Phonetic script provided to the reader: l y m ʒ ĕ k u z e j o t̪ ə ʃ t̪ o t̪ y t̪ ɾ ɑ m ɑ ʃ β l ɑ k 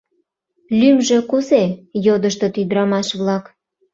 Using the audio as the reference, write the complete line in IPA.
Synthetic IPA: l y m ʒ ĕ k u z e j o d̪ ə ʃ t̪ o t̪ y d̪ ɾ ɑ m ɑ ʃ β l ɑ k